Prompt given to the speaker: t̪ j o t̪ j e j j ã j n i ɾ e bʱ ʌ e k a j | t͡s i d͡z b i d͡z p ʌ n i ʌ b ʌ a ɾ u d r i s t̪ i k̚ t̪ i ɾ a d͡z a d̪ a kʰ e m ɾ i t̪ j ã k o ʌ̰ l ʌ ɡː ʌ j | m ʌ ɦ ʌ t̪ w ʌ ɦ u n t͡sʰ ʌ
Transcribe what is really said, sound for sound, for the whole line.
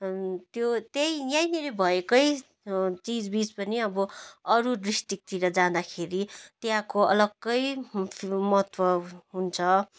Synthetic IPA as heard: t̪ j o t̪ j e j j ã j n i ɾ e bʱ ʌ e k ʌ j | t͡s i d͡z b i d͡z p ʌ n i ʌ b ʌ ʌ ɾ u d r i s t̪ i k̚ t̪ i ɾ ʌ d͡z a d̪ a kʰ e ɾ i t̪ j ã k o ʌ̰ l ʌ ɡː ʌ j | m ʌ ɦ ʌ t̪ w ʌ ɦ u n t͡sʰ ʌ